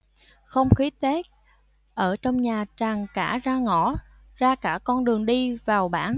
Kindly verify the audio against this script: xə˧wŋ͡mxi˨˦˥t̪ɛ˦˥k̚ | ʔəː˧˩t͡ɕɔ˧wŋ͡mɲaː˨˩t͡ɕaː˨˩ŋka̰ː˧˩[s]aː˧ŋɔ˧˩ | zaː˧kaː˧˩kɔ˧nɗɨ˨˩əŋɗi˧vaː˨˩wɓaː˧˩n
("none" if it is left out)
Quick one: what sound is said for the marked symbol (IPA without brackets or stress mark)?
z